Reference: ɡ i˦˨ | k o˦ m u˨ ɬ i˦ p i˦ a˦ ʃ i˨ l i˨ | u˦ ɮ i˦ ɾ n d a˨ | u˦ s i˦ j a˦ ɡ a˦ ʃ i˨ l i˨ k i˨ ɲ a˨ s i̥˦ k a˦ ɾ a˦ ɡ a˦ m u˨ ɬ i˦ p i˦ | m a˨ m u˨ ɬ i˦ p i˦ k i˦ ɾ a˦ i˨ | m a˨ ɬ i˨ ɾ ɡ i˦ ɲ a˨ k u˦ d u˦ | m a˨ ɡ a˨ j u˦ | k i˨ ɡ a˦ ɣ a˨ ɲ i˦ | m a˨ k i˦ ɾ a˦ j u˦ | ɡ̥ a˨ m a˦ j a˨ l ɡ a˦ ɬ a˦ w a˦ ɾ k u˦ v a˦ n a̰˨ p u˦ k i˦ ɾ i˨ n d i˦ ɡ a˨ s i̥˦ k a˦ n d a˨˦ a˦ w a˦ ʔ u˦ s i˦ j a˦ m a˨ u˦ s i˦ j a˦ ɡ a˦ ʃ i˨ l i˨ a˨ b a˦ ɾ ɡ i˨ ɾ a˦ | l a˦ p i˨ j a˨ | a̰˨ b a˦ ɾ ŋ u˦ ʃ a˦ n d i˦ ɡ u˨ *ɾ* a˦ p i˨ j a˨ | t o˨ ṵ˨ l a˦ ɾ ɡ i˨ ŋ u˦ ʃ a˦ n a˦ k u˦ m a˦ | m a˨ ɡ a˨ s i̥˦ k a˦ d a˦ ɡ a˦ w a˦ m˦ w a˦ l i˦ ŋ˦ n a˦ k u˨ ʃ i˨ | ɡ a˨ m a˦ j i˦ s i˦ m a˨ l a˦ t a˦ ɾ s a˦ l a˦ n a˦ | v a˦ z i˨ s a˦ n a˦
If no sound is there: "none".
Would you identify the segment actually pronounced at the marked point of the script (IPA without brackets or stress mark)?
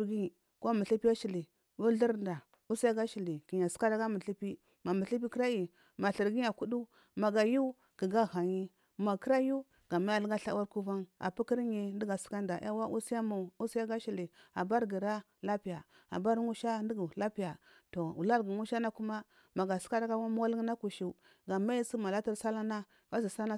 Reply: l